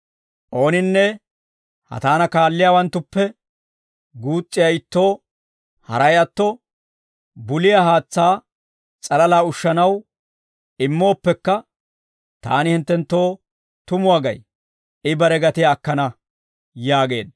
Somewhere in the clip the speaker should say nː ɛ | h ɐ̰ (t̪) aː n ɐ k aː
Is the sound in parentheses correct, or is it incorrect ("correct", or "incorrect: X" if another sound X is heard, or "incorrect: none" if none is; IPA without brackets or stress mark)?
correct